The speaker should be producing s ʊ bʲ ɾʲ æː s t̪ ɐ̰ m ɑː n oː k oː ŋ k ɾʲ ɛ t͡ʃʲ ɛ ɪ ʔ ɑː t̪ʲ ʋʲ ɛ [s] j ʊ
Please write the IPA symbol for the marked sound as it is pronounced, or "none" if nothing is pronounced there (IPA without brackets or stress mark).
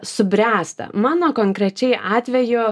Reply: none